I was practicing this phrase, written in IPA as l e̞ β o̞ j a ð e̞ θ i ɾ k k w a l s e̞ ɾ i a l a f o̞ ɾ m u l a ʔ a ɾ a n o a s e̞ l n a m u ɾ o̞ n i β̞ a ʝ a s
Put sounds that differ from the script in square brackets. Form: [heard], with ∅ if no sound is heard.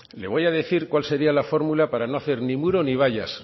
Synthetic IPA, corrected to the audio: l e̞ β o̞ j a ð e̞ θ i ɾ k k w a l s e̞ ɾ i a l a f o̞ ɾ m u l a [p] a ɾ a n o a [θ] e̞ [ɾ] n [i] m u ɾ o̞ n i β̞ a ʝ a s